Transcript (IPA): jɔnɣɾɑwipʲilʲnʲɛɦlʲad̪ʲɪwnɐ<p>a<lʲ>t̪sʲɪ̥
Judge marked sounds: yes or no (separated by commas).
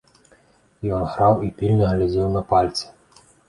yes, yes